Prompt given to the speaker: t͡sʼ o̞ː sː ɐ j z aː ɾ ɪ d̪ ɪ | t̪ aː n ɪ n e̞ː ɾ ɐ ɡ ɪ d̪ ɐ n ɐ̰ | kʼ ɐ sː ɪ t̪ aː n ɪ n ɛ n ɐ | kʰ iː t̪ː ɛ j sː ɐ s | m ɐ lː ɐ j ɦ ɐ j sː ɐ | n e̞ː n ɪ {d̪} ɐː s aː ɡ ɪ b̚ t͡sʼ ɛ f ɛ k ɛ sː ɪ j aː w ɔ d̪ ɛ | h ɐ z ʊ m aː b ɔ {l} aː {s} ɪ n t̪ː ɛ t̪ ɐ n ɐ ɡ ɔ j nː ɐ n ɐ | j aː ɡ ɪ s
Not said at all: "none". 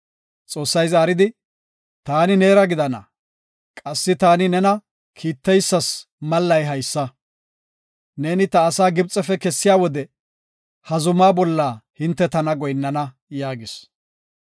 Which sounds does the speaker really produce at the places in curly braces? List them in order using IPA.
t̪, lː, h

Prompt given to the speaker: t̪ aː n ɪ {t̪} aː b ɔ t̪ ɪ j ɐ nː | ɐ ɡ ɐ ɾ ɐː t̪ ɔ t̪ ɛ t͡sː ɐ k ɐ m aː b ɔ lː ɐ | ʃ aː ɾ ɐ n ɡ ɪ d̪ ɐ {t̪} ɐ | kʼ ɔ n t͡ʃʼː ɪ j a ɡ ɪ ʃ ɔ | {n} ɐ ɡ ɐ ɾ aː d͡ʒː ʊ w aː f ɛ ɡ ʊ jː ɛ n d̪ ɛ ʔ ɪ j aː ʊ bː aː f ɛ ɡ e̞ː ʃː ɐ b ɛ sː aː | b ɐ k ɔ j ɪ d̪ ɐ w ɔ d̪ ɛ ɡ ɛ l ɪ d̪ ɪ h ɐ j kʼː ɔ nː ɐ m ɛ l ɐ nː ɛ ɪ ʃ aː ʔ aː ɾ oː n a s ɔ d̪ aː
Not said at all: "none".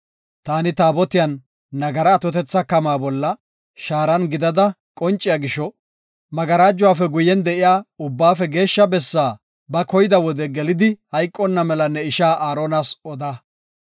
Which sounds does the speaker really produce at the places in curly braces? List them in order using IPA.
t̪, d̪, m

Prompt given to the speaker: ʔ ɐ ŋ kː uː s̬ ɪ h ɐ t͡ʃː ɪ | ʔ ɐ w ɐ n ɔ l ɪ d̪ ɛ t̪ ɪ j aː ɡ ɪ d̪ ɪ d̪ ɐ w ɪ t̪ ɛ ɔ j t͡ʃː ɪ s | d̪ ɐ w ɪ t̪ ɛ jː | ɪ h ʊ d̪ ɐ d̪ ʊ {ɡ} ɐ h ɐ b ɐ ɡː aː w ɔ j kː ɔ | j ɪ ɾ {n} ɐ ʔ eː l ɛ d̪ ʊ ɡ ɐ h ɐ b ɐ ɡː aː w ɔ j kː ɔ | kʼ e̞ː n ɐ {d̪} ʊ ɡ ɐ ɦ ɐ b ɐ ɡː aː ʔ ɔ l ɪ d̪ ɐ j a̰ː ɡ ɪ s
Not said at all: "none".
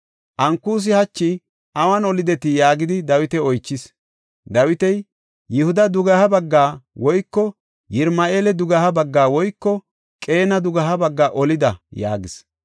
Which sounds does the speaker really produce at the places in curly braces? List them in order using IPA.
ɡ, m, d̪

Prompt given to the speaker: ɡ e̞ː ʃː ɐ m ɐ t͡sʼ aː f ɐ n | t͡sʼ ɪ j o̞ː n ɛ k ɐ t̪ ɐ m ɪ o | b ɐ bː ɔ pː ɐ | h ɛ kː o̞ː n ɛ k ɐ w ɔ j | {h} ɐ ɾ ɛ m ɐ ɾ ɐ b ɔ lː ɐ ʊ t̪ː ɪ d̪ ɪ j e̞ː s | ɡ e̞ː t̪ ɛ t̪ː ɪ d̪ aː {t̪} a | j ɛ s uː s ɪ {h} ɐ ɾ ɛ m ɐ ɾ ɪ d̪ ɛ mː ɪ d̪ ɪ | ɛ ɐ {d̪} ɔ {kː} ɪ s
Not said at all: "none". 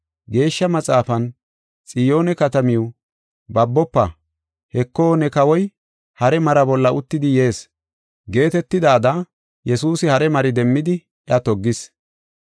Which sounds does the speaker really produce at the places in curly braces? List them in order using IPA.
h, d̪, h, t̪, ɡː

